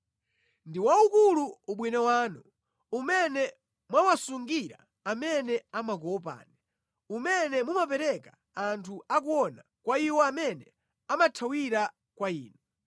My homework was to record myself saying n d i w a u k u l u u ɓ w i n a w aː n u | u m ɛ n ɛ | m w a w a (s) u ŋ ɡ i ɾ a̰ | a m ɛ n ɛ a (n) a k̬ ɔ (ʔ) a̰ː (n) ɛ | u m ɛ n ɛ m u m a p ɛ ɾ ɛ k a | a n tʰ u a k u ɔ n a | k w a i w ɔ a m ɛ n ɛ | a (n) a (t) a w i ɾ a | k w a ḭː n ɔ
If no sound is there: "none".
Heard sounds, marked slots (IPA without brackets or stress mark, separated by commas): s, m, p, n, m, tʰ